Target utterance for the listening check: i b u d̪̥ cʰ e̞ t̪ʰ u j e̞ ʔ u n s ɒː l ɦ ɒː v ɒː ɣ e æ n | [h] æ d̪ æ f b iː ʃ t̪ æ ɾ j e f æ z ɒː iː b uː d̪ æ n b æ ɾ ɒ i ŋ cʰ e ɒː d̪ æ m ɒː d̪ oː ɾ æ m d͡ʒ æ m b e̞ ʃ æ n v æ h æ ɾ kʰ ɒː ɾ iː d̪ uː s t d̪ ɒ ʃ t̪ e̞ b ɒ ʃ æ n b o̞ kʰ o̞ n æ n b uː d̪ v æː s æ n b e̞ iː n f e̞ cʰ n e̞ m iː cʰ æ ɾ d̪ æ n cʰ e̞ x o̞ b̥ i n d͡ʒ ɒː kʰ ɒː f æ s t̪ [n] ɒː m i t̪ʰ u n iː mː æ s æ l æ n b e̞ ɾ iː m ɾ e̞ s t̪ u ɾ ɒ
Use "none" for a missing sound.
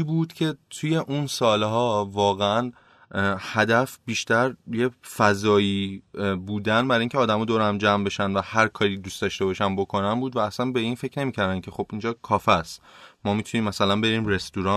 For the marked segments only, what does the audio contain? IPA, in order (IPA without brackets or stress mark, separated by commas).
h, m